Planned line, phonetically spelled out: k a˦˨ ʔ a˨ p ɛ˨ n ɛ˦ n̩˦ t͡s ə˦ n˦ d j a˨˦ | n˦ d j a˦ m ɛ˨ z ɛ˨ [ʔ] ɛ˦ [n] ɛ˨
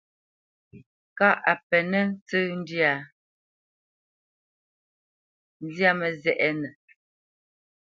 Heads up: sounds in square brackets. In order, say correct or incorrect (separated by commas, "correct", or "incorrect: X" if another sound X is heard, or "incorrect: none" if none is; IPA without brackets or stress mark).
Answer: correct, correct